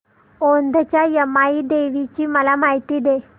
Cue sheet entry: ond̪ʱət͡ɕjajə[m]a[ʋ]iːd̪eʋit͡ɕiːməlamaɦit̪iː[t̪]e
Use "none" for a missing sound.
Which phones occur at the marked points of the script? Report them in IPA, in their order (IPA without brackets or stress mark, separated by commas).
m, none, d̪